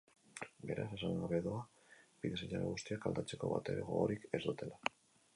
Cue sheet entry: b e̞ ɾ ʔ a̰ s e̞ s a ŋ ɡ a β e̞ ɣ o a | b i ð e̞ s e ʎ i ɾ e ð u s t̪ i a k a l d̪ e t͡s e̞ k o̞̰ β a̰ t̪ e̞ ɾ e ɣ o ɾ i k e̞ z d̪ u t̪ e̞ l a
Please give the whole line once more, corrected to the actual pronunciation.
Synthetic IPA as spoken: b e̞ ɾ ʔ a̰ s e̞ s a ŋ ɡ a β e̞ ð o a | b i ð e̞ s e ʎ a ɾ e ɣ u s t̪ i a k a l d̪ a t͡s e̞ k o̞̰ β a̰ t̪ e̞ ɾ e ɣ o ɾ i k e̞ z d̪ u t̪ e̞ l a